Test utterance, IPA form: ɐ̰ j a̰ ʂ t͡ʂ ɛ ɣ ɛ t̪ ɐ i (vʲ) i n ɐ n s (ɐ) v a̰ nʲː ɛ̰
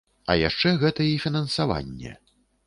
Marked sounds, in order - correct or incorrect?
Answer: incorrect: fʲ, incorrect: a

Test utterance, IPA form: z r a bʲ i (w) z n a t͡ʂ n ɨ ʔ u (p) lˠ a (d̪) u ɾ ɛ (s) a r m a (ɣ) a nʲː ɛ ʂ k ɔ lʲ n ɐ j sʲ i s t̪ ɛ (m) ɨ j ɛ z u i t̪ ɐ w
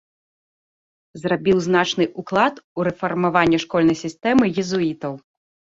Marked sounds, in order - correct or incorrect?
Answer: correct, incorrect: k, incorrect: t̪, incorrect: f, incorrect: v, correct

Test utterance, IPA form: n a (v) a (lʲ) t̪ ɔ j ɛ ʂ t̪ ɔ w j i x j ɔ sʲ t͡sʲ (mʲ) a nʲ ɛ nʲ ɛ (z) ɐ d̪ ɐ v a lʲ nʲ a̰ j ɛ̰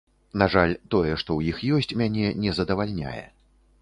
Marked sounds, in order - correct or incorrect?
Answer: incorrect: ʐ, correct, correct, correct

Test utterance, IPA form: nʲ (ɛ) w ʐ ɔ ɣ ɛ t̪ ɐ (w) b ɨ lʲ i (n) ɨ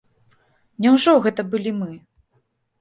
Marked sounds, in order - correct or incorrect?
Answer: correct, incorrect: none, incorrect: m

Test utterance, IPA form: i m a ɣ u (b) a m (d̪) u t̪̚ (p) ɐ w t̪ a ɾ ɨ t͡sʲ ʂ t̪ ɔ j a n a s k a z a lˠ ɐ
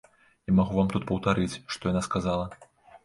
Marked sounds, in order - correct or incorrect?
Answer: incorrect: v, incorrect: t̪, correct

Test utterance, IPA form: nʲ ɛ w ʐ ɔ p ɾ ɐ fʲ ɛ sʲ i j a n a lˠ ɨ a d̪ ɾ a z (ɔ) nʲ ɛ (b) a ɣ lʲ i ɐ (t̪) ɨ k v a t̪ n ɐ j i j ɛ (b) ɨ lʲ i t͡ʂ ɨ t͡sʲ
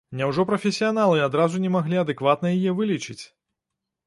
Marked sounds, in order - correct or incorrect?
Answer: incorrect: u, incorrect: m, incorrect: d̪, incorrect: v

